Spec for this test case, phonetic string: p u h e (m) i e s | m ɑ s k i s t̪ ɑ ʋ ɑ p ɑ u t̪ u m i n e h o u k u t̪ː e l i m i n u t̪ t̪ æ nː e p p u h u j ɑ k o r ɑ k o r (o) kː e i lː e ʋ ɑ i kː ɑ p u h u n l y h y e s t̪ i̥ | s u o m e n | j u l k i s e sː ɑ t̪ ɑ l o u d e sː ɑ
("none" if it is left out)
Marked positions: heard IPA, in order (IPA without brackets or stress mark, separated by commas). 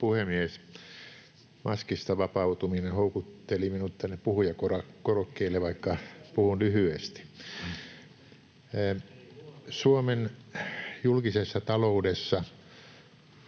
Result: m, o